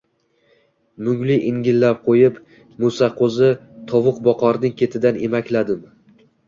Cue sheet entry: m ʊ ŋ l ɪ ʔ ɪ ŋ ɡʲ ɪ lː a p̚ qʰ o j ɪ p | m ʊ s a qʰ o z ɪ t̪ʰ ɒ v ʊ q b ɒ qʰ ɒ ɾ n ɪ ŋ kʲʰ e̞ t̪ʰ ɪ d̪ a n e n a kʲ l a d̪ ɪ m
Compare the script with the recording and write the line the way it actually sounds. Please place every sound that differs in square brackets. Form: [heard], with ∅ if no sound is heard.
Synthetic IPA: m ʊ ŋ l ɪ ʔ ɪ ŋ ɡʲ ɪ lː a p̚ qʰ o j ɪ p | m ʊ s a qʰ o z ɪ t̪ʰ ɒ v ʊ q b ɒ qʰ ɒ ɾ n ɪ ŋ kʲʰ e̞ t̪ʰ ɪ d̪ a n e [m] a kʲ l a d̪ ɪ m